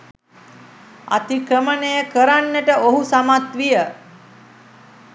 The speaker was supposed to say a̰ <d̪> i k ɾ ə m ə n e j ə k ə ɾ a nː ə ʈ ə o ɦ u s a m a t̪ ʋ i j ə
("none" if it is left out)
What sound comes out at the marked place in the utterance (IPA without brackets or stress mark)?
t̪